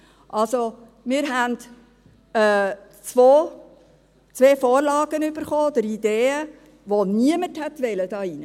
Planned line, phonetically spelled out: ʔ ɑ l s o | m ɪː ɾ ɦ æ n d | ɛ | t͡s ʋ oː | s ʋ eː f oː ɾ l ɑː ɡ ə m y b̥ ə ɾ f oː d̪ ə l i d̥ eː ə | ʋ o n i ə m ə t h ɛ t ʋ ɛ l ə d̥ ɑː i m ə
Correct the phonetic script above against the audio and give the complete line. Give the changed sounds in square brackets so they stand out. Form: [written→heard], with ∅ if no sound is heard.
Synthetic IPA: ʔ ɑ l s o | m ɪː ɾ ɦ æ n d | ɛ | t͡s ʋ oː | [s→t͡s] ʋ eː f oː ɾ l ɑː ɡ ə [m→n] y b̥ ə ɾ [f→χ] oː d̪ ə [l→ɾ] i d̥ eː ə | ʋ o n i ə m ə t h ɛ t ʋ ɛ l ə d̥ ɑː i [m→n] ə